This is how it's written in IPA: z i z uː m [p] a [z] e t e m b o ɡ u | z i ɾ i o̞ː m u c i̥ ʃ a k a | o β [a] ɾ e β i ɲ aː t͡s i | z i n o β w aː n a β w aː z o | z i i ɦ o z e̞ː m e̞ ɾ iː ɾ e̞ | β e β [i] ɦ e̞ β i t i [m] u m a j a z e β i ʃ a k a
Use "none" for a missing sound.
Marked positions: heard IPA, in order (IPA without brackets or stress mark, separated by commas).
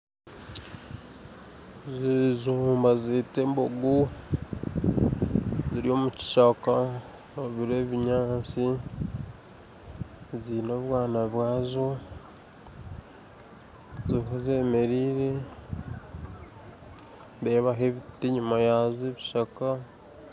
b, z, i, a, ɲ